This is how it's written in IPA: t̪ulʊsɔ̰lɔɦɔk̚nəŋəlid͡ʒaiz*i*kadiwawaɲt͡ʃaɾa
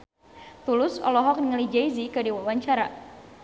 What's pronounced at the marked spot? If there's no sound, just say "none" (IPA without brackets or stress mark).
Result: i